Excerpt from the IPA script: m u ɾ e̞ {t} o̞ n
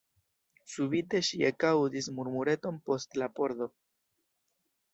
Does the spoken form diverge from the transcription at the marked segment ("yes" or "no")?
no